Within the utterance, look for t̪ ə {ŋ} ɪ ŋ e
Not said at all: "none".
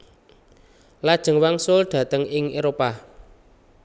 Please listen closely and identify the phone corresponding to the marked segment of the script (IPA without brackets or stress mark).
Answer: ŋ